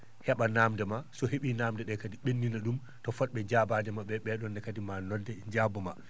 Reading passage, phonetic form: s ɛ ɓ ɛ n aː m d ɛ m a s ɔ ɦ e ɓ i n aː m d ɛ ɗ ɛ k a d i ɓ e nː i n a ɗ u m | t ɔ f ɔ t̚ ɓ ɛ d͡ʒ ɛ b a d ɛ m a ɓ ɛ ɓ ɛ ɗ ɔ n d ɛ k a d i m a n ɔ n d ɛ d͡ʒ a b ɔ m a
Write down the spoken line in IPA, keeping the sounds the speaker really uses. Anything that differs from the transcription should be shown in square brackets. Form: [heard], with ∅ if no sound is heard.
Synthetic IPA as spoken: [h] ɛ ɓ [a] n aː m d ɛ m a s ɔ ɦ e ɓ i n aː m d ɛ ɗ ɛ k a d i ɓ e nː i n a ɗ u m | t ɔ f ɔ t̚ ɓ ɛ d͡ʒ [a] b a d ɛ m a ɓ ɛ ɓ ɛ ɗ ɔ n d ɛ k a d i m a n ɔ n d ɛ d͡ʒ a b ɔ m a